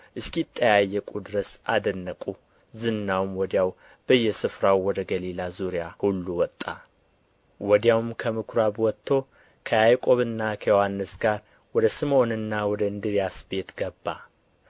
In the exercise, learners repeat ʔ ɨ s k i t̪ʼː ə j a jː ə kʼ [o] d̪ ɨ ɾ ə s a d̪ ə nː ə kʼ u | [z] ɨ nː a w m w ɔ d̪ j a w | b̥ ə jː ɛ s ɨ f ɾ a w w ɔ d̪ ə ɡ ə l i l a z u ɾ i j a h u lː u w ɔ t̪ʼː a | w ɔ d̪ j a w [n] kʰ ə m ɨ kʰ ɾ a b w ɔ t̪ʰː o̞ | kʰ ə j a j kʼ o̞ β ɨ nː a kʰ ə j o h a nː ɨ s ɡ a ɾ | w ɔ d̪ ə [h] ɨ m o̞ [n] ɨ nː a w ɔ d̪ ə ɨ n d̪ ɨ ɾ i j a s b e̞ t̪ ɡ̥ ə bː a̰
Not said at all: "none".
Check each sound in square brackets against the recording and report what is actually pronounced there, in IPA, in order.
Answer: u, z, m, s, n

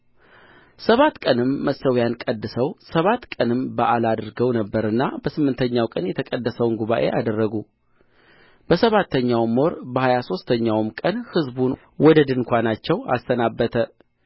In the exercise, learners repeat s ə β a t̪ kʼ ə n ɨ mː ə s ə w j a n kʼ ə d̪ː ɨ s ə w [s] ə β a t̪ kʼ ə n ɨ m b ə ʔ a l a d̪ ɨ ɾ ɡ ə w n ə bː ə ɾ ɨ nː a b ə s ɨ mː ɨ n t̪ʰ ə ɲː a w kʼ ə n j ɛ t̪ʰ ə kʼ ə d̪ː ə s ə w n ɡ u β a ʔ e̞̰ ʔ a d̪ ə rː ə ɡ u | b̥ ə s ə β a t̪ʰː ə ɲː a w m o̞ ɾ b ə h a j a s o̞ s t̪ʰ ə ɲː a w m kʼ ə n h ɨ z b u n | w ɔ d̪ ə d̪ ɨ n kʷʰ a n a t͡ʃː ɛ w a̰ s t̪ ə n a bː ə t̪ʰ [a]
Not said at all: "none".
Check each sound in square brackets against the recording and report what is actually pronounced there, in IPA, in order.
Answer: s, ə

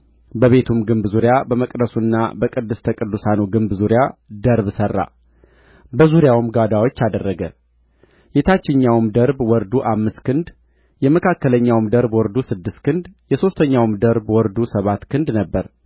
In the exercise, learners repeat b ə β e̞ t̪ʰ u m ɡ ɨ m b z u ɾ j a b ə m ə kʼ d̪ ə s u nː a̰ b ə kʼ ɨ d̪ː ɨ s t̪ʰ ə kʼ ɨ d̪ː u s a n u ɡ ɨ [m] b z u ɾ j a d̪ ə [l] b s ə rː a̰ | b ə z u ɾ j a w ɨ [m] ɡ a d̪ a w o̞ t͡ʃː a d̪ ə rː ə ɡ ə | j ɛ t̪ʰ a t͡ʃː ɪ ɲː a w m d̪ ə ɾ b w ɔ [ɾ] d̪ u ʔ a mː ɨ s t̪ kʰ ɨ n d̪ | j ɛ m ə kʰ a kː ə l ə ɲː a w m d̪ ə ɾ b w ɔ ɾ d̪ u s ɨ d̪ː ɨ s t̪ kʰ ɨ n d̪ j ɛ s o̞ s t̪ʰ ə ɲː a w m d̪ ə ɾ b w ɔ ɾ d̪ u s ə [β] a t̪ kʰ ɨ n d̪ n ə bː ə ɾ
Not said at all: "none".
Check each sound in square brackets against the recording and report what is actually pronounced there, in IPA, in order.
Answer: m, ɾ, m, ɾ, β

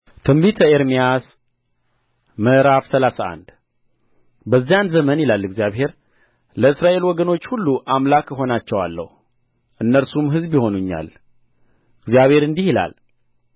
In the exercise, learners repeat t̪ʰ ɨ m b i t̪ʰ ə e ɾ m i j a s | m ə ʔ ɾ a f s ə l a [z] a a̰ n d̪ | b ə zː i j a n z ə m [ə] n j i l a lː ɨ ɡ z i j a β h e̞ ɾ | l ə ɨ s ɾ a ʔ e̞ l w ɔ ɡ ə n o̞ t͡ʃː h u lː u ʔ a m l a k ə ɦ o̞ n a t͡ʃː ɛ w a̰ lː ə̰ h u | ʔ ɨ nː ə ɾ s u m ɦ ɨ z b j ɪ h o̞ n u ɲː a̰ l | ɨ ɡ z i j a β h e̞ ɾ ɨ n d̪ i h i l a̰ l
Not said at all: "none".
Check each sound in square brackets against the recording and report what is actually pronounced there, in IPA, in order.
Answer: s, ə

